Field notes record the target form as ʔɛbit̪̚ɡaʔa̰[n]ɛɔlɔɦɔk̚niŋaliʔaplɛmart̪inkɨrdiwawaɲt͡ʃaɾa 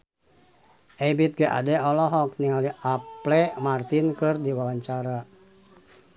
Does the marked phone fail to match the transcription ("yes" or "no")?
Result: yes